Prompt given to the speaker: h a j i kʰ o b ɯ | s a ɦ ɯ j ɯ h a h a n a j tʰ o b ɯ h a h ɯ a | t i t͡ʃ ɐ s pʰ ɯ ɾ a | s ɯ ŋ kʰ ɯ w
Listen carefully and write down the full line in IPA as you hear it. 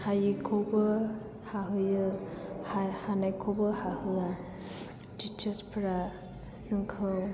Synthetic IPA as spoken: h a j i kʰ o b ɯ | h a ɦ ɯ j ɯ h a h a n a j kʰ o b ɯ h a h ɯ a | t i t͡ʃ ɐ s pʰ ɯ ɾ a | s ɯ ŋ kʰ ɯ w